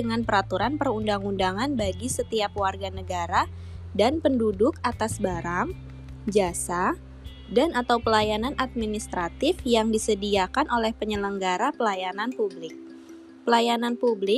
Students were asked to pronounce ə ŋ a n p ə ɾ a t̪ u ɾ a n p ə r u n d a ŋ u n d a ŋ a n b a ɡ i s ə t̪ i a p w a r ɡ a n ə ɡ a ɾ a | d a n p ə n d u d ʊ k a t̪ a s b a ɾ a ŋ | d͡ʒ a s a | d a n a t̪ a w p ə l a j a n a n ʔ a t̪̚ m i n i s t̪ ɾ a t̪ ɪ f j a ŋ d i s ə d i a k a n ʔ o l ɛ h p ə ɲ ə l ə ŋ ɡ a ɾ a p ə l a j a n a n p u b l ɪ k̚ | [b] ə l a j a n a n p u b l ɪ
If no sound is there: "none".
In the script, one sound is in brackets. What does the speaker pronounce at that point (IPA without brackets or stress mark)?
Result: p